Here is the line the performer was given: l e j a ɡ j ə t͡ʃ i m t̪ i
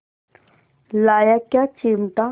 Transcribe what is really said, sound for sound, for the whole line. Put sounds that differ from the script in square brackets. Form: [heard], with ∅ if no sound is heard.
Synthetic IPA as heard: l [a] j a [k] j [a] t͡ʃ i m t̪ [a]